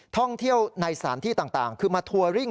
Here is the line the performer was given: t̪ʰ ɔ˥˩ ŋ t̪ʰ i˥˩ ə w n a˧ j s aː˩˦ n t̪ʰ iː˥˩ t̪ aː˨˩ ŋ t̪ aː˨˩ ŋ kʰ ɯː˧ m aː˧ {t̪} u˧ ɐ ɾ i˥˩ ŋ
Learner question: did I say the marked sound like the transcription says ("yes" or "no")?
no